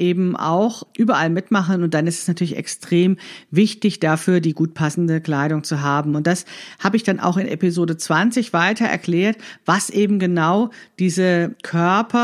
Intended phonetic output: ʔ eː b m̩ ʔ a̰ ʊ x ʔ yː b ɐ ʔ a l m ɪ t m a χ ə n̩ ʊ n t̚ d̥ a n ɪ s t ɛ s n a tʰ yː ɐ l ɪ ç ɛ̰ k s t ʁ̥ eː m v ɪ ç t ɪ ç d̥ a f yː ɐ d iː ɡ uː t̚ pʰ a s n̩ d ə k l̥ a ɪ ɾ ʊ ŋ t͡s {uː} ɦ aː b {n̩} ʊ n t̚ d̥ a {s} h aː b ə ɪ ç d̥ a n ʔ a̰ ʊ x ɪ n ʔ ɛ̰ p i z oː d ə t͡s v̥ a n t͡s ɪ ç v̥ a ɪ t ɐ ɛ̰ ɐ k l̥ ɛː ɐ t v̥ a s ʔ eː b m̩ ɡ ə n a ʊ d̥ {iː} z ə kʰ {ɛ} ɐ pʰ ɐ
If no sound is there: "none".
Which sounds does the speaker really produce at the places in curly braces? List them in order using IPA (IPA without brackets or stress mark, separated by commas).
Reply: u, m̩, s, iː, œ